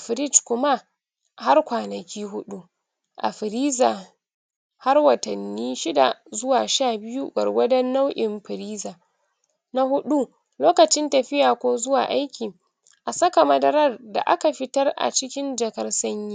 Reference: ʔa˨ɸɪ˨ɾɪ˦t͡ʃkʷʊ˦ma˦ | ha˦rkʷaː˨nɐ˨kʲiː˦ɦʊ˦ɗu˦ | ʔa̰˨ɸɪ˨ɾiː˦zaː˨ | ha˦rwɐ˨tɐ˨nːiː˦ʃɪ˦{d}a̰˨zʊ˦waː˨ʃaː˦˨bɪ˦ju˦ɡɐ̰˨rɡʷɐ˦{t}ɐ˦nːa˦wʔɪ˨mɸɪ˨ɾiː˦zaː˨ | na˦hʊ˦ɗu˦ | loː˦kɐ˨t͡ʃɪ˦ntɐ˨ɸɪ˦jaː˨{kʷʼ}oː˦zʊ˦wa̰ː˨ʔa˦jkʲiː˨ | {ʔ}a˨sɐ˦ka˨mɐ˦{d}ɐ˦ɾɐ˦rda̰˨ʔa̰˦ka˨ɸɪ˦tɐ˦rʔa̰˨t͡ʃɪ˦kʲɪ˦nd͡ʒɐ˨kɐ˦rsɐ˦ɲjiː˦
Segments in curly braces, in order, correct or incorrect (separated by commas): correct, incorrect, incorrect, correct, correct